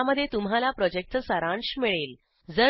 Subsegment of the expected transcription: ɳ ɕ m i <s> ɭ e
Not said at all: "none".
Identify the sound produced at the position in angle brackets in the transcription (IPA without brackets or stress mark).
none